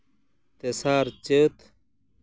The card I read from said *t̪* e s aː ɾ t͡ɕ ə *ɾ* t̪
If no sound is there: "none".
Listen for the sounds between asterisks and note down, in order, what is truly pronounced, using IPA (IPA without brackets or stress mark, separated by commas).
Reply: t̪, none